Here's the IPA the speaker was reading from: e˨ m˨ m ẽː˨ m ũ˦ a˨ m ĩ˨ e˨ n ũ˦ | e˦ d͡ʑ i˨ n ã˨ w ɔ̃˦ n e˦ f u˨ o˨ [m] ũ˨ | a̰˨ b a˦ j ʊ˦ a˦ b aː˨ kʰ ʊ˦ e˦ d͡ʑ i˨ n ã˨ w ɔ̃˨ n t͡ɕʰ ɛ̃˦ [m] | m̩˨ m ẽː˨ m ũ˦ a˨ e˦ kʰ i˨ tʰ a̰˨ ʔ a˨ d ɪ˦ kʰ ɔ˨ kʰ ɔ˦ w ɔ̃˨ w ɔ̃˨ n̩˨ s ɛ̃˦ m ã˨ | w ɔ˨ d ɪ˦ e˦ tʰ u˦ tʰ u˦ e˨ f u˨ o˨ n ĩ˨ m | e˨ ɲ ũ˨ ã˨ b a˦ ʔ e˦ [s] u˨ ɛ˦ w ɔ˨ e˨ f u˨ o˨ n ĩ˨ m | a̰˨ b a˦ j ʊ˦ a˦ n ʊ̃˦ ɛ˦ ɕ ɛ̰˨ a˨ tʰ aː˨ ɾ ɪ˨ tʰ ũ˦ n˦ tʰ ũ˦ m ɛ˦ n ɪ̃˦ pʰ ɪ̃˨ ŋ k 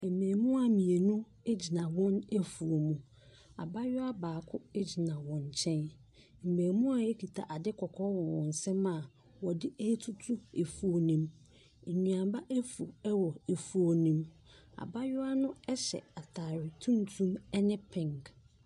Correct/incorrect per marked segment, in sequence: correct, incorrect, incorrect

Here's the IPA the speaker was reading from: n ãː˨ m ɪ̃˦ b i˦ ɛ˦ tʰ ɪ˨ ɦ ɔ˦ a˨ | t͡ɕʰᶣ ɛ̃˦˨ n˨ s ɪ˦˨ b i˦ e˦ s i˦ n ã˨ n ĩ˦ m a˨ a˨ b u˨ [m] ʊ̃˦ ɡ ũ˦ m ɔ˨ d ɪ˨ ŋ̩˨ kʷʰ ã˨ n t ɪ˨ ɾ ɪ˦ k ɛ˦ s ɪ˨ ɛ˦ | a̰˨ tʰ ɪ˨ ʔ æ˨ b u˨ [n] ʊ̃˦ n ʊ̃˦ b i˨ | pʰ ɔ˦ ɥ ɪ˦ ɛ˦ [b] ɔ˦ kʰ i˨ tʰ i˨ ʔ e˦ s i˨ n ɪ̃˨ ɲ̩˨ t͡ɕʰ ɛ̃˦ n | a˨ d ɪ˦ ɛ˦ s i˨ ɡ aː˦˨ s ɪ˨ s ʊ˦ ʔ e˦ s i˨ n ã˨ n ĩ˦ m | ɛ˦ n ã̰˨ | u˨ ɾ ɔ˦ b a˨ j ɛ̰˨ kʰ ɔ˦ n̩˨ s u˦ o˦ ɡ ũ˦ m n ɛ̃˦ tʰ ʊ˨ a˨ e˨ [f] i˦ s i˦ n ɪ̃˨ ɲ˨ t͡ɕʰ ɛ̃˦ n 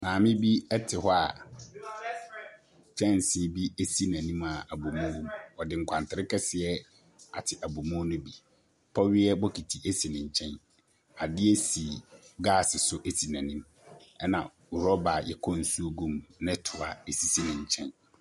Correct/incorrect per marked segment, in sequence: correct, incorrect, correct, incorrect

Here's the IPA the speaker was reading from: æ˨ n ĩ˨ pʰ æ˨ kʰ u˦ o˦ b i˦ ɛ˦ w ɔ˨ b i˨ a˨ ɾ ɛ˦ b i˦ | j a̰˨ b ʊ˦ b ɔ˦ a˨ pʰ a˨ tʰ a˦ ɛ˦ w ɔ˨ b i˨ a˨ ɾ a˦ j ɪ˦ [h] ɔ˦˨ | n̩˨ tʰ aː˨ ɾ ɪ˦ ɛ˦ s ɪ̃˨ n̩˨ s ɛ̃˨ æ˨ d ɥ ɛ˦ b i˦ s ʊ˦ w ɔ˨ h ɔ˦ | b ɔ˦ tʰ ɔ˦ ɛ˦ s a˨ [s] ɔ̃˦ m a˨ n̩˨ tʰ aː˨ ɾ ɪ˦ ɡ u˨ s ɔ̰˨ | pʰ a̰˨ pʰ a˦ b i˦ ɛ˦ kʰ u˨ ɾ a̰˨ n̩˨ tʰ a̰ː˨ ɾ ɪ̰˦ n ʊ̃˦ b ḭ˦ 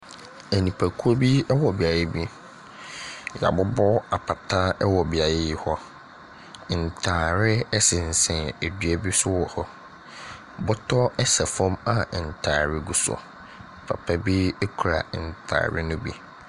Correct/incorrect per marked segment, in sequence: correct, incorrect

